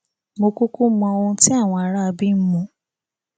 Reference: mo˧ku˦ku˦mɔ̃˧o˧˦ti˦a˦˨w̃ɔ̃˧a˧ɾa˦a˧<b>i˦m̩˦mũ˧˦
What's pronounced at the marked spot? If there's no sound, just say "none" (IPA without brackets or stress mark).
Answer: b